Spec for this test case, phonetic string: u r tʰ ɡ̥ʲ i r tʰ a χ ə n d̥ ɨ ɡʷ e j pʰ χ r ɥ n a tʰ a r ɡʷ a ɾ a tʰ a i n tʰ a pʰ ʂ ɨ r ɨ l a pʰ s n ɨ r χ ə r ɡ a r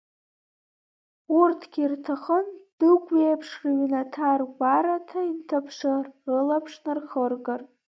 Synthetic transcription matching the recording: u r tʰ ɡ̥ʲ i r tʰ a χ ə n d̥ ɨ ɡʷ e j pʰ ʂ r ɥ n a tʰ a r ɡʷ a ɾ a tʰ a i n tʰ a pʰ ʂ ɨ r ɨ l a pʰ ʂ n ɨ r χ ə r ɡ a r